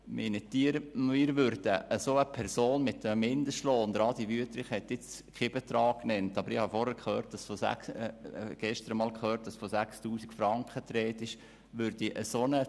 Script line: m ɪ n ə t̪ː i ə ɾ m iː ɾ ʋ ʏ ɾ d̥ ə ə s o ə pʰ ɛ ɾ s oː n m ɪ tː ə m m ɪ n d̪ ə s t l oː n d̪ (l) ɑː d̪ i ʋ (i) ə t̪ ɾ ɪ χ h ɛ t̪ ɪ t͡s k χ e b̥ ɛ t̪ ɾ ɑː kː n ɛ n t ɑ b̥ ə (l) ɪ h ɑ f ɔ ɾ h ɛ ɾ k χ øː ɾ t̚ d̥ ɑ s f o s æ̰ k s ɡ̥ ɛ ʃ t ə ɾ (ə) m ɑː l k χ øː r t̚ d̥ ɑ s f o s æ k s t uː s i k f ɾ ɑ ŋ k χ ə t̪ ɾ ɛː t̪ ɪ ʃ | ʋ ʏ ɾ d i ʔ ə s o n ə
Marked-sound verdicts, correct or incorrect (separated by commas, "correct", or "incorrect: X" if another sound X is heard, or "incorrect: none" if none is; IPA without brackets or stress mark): incorrect: ɾ, incorrect: y, incorrect: ɾ, correct